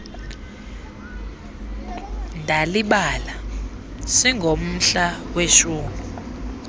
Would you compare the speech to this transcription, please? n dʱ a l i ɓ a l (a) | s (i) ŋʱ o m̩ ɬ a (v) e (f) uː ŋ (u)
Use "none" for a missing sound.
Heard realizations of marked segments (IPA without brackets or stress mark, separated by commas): a, i, w, ʃ, u